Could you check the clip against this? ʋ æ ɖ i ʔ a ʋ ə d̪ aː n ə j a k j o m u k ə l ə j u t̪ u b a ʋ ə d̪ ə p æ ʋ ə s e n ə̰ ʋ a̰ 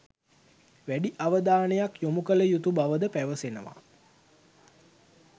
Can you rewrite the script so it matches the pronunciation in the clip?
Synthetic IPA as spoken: ʋ æ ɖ i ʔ a ʋ ə d̪ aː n ə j a k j o m u k ə l ə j u t̪ u b a ʋ ə d̪ ə p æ ʋ ə s e n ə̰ ʋ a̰